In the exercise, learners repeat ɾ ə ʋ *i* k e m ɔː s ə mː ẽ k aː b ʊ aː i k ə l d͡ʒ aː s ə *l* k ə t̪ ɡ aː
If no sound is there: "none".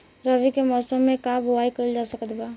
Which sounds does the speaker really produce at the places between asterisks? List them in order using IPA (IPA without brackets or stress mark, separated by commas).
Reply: i, none